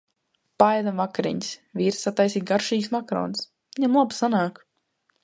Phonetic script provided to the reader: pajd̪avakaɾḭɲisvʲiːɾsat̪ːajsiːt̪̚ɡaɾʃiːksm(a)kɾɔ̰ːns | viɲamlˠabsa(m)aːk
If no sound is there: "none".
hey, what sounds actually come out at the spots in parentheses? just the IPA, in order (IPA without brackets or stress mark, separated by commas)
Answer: a, n